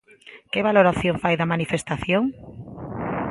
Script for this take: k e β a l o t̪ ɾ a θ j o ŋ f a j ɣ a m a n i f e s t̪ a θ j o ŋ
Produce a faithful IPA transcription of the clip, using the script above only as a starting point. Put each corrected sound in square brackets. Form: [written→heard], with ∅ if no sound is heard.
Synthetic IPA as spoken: k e β a l o [t̪→∅] ɾ a θ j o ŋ f a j [ɣ→ð] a m a n i f e s t̪ a θ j o ŋ

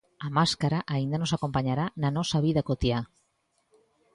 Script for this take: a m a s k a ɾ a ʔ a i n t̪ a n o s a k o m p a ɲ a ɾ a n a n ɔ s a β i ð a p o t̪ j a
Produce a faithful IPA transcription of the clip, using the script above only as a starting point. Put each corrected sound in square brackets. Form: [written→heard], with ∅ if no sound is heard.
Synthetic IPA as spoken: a m a s k a ɾ a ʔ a i n [t̪→d̪] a n o s a k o m p a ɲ a ɾ a n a n ɔ s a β i ð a [p→k] o t̪ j a

